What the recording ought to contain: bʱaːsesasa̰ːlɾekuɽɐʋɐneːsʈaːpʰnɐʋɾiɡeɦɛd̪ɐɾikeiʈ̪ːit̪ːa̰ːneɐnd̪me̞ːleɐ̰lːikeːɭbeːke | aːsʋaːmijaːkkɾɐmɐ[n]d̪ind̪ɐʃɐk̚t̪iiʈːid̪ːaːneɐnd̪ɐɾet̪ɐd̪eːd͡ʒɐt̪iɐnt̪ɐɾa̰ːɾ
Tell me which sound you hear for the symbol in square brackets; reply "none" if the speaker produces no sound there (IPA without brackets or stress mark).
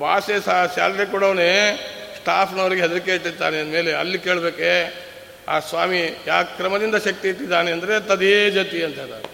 none